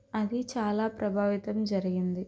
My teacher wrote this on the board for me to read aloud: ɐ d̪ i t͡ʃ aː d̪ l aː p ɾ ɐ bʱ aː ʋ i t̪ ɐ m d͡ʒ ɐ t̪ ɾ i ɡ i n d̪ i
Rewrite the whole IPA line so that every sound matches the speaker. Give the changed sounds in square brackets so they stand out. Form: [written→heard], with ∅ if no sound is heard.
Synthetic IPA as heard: ɐ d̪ i t͡ʃ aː [d̪→∅] l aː p ɾ ɐ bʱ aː ʋ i t̪ ɐ m d͡ʒ ɐ [t̪→∅] ɾ i ɡ i n d̪ i